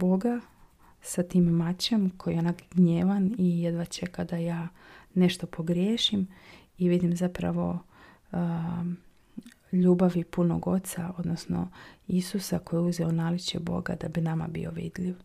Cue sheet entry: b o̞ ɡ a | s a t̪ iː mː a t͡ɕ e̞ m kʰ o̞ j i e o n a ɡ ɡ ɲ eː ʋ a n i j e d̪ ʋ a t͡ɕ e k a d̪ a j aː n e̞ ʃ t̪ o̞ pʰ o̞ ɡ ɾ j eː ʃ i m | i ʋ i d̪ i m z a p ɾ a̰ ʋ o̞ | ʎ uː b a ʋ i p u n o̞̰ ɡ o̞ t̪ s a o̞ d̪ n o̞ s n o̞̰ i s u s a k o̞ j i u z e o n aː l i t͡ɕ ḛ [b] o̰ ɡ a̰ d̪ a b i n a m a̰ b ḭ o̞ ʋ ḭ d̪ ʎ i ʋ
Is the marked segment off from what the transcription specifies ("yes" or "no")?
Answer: no